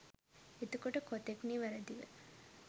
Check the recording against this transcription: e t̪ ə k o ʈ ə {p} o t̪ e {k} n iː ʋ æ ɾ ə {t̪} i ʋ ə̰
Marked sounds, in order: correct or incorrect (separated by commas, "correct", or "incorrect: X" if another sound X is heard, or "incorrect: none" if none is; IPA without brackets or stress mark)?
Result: incorrect: k, correct, incorrect: d̪